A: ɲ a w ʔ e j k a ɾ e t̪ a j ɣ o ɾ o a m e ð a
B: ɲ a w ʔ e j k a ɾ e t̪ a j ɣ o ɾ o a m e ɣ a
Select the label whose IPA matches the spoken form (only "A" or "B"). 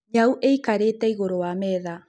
A